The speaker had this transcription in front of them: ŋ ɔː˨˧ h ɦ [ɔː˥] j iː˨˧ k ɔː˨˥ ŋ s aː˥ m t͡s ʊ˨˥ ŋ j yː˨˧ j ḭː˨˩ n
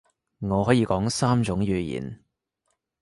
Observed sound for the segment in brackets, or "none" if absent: ɔː˨˥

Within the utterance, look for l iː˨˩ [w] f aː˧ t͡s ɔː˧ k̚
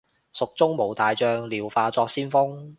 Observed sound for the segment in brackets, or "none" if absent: w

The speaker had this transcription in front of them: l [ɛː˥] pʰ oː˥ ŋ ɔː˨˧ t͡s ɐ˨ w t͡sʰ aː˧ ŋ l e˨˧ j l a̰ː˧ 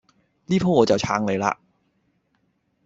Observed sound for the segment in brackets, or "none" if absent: iː˥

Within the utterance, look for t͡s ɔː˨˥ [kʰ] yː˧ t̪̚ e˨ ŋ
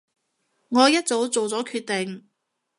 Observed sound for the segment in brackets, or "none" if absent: kʰ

